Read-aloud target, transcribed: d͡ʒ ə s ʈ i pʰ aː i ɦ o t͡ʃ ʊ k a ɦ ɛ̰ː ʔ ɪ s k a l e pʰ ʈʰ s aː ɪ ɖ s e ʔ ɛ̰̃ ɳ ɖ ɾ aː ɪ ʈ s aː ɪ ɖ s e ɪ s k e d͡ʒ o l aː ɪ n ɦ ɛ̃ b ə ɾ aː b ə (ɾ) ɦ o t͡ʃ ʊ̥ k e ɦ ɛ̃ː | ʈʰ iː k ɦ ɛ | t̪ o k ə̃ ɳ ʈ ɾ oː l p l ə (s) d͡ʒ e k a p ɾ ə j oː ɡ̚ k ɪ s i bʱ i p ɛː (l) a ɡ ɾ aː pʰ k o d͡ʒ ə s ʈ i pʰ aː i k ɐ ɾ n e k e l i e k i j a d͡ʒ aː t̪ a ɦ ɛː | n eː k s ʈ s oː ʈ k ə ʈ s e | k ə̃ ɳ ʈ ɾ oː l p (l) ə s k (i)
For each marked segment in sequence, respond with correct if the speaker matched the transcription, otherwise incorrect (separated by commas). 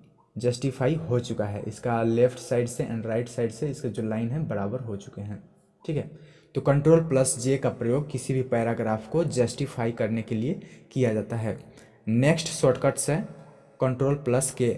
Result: correct, correct, incorrect, correct, incorrect